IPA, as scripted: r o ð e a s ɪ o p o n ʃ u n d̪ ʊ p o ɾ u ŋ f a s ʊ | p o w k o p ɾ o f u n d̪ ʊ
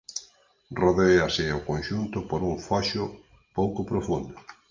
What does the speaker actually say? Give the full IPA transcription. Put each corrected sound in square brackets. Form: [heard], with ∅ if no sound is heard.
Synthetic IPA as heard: r o ð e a s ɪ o [k] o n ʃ u n [t̪] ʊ p o ɾ u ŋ f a [ʃ] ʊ | p o w k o p ɾ o f u n d̪ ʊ